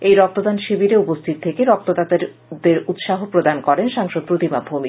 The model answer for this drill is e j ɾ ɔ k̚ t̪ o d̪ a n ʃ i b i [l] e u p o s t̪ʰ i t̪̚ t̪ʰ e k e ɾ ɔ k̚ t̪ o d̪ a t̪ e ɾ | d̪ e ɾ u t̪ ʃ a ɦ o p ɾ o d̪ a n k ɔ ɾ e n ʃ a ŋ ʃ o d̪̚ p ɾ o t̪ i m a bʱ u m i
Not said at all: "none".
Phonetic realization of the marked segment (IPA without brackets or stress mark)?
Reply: ɾ